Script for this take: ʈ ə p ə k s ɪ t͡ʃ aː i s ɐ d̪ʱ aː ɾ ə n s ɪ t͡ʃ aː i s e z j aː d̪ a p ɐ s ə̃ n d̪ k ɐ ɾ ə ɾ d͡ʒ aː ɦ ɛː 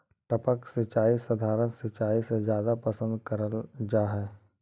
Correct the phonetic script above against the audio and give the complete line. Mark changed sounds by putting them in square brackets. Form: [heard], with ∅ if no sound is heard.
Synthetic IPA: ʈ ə p ə k s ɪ t͡ʃ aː i s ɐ d̪ʱ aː ɾ ə n s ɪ t͡ʃ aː i s e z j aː d̪ a p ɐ s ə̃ n d̪ k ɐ ɾ ə [l] d͡ʒ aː ɦ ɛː